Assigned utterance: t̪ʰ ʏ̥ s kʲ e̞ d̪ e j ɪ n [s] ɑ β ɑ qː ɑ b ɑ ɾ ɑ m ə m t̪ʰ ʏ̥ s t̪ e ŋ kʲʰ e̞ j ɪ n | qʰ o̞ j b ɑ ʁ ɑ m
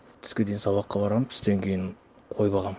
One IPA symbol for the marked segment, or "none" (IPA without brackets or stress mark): s